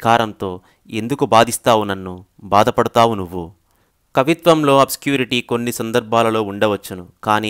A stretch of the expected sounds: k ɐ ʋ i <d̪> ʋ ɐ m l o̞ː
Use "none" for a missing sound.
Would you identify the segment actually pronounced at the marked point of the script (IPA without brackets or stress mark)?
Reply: t̪